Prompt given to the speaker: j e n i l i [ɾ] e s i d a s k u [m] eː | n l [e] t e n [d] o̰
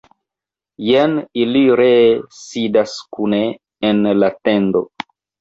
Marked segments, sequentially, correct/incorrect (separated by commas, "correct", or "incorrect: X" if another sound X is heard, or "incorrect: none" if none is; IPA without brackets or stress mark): correct, incorrect: n, incorrect: a, correct